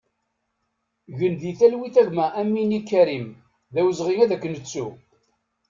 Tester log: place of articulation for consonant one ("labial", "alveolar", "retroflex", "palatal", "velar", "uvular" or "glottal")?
palatal